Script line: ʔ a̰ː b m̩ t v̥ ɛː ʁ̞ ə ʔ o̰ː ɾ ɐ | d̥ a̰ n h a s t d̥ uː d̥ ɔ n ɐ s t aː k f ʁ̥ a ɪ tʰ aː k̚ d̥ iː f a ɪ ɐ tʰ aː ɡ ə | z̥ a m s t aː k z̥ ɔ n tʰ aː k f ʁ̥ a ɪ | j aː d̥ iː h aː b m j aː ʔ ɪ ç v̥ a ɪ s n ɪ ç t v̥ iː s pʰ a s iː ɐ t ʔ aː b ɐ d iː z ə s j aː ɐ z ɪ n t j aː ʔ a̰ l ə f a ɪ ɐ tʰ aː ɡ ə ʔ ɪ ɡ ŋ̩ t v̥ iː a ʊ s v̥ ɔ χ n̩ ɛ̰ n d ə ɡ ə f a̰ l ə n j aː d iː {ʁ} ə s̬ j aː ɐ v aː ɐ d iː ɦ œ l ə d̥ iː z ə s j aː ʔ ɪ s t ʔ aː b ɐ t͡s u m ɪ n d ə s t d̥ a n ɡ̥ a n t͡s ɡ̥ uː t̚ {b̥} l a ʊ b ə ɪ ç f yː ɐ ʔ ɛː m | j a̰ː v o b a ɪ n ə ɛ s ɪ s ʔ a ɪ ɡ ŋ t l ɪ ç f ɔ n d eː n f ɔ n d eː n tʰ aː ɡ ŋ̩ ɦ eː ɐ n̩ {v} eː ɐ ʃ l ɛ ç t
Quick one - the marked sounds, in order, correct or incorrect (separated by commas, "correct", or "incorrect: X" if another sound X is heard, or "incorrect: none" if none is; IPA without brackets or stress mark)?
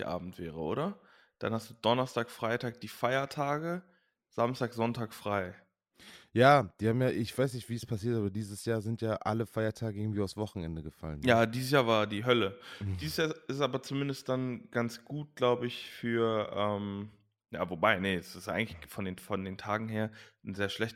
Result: incorrect: z, incorrect: ɡ̥, incorrect: z